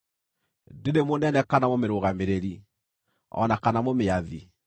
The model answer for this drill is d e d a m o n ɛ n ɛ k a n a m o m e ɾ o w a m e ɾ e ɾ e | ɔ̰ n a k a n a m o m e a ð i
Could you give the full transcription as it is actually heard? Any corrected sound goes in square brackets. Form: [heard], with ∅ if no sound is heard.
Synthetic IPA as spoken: d e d [e] m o n ɛ n ɛ k a n a m o m e ɾ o [ɣ] a m e ɾ e ɾ [i] | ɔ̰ n a k a n a m o m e a ð i